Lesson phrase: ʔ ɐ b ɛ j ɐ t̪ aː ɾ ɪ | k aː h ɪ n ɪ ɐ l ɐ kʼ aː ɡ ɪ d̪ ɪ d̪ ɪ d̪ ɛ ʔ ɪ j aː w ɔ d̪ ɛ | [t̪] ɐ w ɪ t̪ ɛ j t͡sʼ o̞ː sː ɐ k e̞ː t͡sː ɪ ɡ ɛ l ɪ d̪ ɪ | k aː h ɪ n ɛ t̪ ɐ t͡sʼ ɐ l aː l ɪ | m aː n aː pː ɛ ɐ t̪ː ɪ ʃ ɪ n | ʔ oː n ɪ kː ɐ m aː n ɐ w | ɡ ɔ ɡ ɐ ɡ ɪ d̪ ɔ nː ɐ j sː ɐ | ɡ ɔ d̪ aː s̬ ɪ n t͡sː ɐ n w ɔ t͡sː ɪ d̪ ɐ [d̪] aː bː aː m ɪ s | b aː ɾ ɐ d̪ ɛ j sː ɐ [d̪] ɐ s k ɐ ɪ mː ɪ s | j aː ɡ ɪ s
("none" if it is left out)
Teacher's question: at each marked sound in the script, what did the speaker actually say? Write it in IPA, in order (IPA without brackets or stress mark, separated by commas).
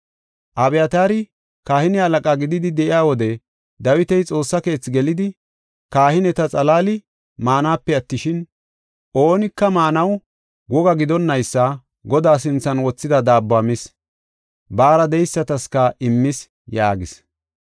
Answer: d̪, d̪, t̪